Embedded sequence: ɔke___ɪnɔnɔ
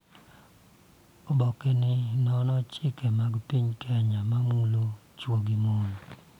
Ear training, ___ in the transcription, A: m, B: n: B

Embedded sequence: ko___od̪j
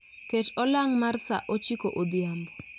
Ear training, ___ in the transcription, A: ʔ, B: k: A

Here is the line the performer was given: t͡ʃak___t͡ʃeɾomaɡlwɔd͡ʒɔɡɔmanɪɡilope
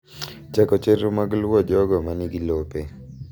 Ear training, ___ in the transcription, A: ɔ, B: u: A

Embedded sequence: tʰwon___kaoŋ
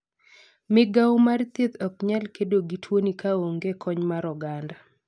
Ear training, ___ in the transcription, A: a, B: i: B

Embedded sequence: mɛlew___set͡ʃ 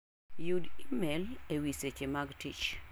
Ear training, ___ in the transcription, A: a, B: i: B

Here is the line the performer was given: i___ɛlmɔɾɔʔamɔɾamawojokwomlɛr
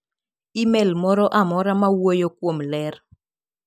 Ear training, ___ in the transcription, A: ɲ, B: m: B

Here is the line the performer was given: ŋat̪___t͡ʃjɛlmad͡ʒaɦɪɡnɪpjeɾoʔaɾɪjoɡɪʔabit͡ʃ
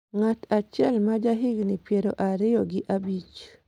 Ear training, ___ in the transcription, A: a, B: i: A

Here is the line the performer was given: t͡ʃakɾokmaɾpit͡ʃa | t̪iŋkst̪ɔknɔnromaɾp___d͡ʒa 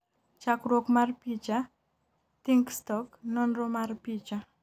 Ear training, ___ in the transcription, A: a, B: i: B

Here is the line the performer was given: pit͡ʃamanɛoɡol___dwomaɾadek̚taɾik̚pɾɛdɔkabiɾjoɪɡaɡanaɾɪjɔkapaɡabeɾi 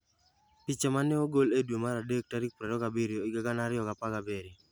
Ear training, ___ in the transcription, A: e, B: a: A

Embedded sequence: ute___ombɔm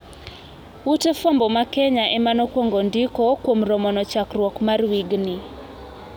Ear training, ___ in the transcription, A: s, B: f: B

